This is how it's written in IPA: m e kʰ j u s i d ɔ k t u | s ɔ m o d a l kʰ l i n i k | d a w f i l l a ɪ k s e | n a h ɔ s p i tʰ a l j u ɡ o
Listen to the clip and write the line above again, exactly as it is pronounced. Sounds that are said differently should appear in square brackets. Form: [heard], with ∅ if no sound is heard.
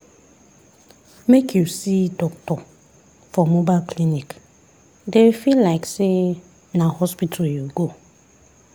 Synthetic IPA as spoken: m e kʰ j u s i d ɔ k t [ɔ] | [f] ɔ m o [b] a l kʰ l i n i k | d [e] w f i l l a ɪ k s e | n a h ɔ s p i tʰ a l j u ɡ o